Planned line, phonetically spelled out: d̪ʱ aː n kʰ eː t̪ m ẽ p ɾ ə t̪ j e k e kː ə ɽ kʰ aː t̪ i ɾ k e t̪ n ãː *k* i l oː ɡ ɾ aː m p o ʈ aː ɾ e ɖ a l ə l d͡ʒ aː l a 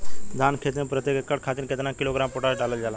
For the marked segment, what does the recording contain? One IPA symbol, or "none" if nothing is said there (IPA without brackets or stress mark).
k